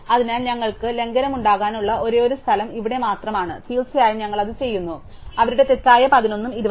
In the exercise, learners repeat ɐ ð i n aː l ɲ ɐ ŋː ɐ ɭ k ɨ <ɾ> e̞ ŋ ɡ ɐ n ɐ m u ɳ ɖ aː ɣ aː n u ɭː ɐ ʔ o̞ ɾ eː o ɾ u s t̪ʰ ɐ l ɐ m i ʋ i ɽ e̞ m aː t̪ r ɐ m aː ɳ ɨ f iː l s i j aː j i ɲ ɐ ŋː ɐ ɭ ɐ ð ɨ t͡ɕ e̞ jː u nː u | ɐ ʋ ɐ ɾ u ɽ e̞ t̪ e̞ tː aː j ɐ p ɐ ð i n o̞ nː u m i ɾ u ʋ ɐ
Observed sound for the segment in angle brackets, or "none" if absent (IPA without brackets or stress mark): l